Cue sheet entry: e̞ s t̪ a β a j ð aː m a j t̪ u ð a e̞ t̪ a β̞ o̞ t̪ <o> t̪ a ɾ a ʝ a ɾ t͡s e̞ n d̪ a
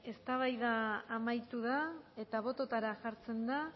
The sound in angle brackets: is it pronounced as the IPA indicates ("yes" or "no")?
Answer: yes